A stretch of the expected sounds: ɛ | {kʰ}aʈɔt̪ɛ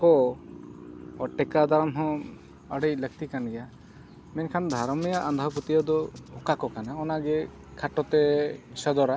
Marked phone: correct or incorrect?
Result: correct